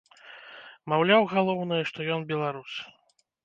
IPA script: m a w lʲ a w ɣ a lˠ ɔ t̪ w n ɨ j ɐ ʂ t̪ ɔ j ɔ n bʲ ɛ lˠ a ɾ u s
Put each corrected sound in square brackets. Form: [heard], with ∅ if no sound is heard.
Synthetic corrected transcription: m a w lʲ a w ɣ a lˠ ɔ [∅] w n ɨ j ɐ ʂ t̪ ɔ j ɔ n bʲ ɛ lˠ a ɾ u s